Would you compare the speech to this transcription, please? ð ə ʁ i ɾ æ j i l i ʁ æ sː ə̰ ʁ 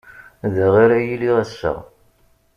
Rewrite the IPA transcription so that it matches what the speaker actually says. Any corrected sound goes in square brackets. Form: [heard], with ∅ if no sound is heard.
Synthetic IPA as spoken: ð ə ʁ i ɾ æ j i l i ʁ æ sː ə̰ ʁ